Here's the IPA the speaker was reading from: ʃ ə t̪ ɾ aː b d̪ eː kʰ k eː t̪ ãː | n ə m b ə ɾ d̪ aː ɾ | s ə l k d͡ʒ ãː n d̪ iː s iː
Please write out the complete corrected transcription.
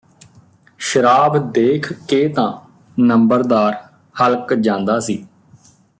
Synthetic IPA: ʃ ə ɾ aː b d̪ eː kʰ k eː t̪ ãː | n ə m b ə ɾ d̪ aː ɾ | h ə l k d͡ʒ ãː n d̪ aː s iː